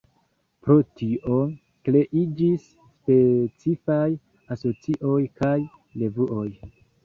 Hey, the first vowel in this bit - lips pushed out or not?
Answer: yes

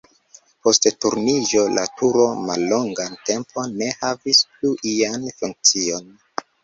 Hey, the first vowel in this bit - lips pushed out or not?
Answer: yes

